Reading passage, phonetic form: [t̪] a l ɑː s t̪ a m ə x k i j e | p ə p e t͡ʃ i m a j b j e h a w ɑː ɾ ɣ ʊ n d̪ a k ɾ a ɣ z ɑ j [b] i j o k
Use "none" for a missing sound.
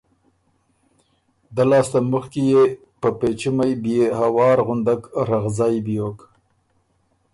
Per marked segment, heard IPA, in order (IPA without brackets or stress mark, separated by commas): d̪, b